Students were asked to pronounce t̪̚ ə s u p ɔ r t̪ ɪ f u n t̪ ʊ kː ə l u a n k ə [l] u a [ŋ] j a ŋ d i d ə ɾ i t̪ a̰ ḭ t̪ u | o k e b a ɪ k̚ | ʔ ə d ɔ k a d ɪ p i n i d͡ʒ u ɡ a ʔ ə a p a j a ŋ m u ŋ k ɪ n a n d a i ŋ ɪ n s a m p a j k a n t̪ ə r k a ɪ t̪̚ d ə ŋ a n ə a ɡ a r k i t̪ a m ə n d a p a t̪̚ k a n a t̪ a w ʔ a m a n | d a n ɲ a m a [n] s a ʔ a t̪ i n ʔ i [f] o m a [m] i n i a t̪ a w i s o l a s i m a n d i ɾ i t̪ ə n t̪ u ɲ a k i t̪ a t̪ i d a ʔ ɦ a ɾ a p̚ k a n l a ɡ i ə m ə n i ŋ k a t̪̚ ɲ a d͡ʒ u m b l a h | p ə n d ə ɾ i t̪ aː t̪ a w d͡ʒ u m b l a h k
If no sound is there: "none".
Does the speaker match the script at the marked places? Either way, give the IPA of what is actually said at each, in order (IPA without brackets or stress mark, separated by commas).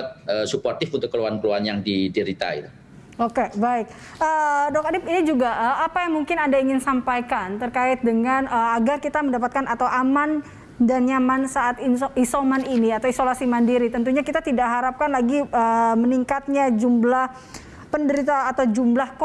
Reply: l, n, n, s, n